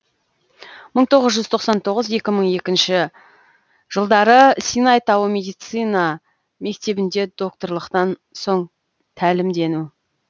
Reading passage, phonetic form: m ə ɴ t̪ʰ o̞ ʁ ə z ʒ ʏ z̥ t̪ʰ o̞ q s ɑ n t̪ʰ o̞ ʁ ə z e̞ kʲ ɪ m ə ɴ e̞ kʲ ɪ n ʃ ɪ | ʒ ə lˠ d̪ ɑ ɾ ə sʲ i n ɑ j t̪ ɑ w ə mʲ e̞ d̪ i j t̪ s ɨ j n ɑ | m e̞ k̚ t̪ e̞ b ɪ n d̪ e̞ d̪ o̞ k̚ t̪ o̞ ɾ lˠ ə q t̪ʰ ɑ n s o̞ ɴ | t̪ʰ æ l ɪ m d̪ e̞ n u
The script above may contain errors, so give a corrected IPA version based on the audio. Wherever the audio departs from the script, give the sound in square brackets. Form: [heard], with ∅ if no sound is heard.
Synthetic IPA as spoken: m ə ɴ t̪ʰ o̞ ʁ ə z ʒ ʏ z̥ t̪ʰ o̞ q s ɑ n t̪ʰ o̞ ʁ ə z e̞ kʲ ɪ m ə ɴ e̞ kʲ ɪ n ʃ ɪ | ʒ ə lˠ d̪ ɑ ɾ ə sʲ i n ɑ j t̪ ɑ w ə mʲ e̞ d̪ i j t̪ s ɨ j n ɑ | m e̞ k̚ t̪ e̞ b ɪ n d̪ e̞ d̪ o̞ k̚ t̪ o̞ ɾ lˠ ə q [t̪] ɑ n s o̞ ɴ | t̪ʰ æ l ɪ m d̪ e̞ n u